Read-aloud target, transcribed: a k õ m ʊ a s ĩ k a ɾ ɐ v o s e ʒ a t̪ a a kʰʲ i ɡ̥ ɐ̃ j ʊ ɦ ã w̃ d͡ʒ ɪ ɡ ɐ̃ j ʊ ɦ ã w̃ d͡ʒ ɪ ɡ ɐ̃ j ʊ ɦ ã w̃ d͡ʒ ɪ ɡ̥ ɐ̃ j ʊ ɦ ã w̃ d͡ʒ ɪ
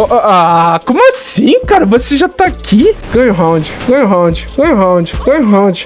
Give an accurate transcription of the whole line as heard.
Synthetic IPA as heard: a k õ m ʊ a s ĩ k a ɾ ɐ v o s e ʒ a t̪ a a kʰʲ i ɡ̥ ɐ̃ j ʊ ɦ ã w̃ d͡ʒ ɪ ɡ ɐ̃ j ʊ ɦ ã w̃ d͡ʒ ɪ ɡ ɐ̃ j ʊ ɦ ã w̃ d͡ʒ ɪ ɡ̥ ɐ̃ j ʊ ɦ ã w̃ d͡ʒ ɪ